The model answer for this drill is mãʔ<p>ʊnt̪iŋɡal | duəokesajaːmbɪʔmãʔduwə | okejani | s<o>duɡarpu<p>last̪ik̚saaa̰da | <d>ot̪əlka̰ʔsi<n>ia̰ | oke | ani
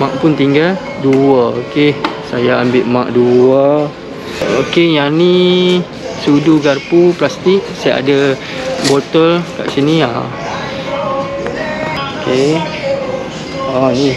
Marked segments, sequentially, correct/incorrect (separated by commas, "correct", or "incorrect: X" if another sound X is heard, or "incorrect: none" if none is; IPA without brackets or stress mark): correct, incorrect: u, correct, incorrect: b, correct